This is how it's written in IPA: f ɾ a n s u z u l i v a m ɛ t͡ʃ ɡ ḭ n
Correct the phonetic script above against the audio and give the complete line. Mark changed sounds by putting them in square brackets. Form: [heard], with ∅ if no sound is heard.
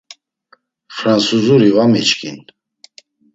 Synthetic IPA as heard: f ɾ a n s u z u [ɾ] i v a m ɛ t͡ʃ [k] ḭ n